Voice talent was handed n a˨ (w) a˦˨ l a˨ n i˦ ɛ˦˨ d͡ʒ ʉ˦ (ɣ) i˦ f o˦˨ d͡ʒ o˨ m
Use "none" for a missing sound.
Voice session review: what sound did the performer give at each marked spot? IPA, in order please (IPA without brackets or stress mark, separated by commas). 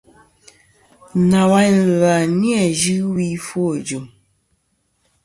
w, w